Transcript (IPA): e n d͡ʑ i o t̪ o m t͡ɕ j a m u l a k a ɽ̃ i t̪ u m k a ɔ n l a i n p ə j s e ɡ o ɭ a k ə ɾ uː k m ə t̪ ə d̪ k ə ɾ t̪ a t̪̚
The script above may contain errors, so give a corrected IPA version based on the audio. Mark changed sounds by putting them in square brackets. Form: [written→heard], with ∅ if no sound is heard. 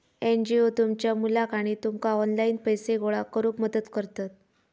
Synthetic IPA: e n d͡ʑ i o t̪ [o→u] m t͡ɕ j a m u l a k a ɽ̃ i t̪ u m k a ɔ n l a i n p ə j s e ɡ o ɭ a k ə ɾ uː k m ə [t̪→d̪] ə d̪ k ə ɾ t̪ a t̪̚